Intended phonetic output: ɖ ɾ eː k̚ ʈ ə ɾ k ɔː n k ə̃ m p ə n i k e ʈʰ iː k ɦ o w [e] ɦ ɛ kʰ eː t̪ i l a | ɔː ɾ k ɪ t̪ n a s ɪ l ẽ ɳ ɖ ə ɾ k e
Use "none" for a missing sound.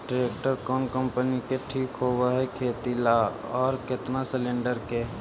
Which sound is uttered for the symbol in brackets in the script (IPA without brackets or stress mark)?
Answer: a